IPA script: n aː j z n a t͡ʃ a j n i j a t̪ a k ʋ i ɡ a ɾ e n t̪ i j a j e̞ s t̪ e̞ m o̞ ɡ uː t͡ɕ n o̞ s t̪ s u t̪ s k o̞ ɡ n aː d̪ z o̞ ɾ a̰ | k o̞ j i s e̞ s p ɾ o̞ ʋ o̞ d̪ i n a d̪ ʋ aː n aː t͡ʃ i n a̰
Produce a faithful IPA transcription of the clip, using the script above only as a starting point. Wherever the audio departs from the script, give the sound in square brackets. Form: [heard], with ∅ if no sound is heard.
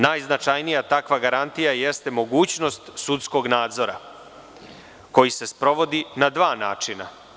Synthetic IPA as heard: n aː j z n a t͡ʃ a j n i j a t̪ a k ʋ [a] ɡ a ɾ [a] n t̪ i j a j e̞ s t̪ e̞ m o̞ ɡ uː t͡ɕ n o̞ s t̪ s u t̪ s k o̞ ɡ n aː d̪ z o̞ ɾ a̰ | k o̞ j i s e̞ s p ɾ o̞ ʋ o̞ d̪ i n a d̪ ʋ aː n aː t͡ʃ i n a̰